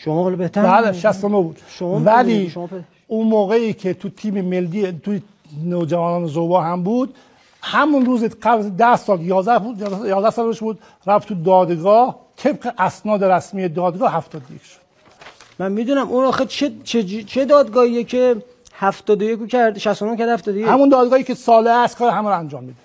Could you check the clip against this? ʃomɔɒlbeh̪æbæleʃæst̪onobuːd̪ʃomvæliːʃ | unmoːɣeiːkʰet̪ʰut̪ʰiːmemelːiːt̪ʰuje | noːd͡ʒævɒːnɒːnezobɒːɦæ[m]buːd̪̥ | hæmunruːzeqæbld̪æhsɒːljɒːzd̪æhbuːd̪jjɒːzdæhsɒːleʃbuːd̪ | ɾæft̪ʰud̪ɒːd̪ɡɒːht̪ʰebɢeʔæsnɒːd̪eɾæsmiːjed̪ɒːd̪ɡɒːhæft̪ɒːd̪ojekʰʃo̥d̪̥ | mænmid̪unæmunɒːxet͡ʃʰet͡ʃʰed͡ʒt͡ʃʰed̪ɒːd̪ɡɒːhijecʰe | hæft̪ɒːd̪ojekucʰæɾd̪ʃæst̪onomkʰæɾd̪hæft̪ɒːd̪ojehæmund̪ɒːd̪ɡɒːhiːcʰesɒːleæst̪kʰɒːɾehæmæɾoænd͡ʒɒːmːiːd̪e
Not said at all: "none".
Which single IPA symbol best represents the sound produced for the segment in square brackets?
m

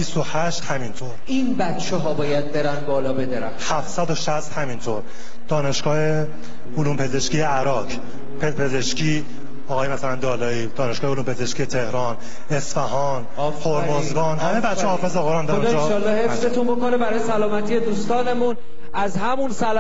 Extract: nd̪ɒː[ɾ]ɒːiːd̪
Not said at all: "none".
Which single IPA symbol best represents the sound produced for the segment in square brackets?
l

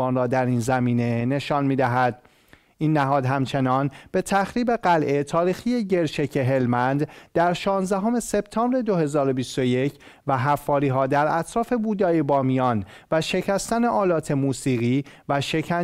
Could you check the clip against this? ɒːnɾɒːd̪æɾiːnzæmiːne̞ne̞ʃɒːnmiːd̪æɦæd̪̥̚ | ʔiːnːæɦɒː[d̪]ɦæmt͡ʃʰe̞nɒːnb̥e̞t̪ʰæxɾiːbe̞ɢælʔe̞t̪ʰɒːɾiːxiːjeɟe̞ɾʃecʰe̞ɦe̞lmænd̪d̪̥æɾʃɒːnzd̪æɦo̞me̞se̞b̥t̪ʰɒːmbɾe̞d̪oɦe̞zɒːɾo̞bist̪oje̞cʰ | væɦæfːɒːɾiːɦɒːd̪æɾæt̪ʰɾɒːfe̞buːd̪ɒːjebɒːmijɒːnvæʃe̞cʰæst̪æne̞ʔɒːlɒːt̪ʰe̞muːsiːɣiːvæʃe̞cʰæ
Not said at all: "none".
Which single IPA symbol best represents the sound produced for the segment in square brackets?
d̪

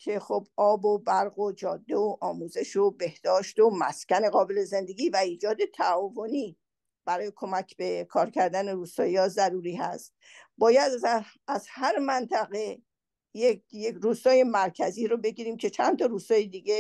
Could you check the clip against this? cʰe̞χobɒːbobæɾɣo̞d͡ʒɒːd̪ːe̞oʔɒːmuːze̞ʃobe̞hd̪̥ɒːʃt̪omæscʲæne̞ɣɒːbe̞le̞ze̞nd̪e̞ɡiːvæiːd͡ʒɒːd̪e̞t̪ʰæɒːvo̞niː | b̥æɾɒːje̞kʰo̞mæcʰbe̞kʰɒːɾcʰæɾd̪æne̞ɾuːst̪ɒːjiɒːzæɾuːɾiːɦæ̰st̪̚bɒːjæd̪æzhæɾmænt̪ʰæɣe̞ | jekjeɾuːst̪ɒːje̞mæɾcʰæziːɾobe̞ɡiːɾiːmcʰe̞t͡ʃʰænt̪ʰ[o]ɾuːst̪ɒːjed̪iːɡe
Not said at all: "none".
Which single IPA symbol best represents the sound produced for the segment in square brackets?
ɒ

